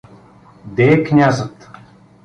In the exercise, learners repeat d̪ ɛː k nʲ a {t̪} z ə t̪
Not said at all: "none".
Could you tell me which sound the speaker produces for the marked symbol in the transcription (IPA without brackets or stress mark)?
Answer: none